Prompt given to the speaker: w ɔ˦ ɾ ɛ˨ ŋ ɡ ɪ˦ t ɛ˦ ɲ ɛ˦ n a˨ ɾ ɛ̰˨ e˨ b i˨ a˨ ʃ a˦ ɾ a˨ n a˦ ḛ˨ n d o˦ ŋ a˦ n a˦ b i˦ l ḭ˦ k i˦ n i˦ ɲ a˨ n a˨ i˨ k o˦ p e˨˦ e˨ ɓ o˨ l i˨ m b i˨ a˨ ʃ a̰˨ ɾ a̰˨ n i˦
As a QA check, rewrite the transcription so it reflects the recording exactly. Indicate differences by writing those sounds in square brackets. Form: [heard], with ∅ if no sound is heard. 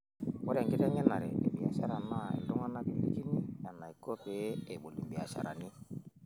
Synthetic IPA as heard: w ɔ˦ ɾ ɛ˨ ŋ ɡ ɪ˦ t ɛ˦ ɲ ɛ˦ n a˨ ɾ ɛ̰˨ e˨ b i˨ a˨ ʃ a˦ ɾ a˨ n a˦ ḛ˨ n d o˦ ŋ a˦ n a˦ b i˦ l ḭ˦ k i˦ n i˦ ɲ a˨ n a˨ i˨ k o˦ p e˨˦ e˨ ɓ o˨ l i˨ m b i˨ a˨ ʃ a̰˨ ɾ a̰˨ n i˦